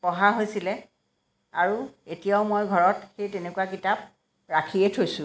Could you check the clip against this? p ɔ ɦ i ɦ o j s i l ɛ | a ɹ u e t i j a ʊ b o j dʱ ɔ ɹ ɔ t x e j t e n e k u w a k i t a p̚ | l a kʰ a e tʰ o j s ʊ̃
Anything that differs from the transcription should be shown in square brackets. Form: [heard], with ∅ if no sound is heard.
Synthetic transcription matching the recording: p ɔ ɦ [a] ɦ o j s i l ɛ | a ɹ u e t i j a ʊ [m] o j [ɡʱ] ɔ ɹ ɔ t x e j t e n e k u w a k i t a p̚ | [ɹ] a kʰ [i] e tʰ o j s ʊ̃